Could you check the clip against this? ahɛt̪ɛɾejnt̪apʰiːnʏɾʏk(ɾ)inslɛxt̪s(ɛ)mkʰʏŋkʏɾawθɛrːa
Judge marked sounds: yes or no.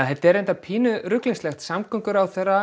no, no

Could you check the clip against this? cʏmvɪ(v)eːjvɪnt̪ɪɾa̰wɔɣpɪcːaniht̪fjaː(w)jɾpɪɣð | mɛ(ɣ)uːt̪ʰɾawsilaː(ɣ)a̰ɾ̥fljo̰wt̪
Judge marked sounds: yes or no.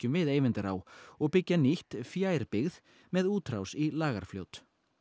no, no, no, yes

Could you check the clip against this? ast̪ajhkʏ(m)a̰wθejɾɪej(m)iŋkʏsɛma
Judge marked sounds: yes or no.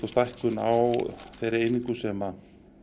no, no

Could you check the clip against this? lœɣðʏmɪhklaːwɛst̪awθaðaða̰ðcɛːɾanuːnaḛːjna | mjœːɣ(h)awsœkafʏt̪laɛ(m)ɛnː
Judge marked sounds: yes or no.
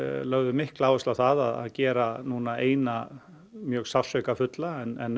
no, no

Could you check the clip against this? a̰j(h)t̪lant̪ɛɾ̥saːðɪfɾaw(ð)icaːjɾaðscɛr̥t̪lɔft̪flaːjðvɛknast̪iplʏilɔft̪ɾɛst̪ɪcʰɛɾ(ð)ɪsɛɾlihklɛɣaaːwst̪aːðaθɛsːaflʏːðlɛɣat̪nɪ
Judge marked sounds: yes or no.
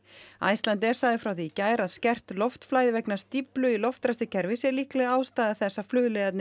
no, no, no

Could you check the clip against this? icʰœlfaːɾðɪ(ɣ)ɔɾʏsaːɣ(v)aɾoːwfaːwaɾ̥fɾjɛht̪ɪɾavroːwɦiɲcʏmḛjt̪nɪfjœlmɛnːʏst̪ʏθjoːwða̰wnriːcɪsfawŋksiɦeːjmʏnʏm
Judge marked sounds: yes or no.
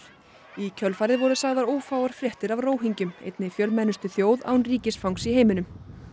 no, no

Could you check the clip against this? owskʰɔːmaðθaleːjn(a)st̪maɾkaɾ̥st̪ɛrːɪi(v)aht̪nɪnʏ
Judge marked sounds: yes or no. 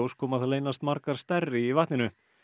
yes, yes

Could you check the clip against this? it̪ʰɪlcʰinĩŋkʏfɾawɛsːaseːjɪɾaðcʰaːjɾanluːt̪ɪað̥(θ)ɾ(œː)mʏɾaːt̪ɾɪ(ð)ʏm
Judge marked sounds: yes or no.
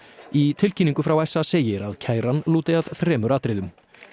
yes, no, yes

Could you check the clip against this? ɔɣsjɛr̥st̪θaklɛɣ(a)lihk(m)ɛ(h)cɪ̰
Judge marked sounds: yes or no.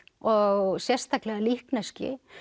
yes, no, no

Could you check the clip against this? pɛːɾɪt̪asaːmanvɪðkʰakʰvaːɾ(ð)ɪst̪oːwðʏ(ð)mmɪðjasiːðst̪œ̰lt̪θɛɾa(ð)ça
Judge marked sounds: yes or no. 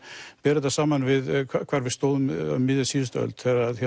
no, no, yes

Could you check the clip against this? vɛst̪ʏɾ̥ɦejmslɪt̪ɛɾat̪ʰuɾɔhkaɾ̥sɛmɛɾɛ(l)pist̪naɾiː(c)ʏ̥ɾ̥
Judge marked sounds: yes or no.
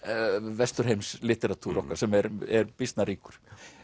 no, no

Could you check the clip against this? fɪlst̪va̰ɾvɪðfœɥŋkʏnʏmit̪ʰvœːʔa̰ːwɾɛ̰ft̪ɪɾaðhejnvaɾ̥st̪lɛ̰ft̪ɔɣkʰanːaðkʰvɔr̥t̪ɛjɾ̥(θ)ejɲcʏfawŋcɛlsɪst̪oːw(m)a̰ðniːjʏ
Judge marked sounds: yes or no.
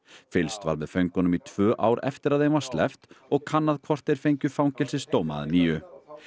no, yes

